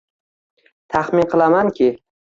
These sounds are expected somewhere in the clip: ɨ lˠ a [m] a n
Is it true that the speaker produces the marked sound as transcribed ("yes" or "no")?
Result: yes